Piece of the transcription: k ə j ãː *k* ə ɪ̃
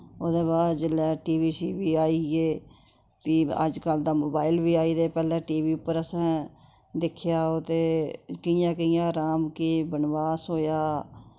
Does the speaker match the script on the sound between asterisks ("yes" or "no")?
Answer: yes